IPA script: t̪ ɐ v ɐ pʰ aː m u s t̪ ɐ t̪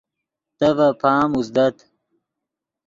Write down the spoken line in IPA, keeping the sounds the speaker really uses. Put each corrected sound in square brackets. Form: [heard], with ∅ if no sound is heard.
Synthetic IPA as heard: t̪ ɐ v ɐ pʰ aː m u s [d̪] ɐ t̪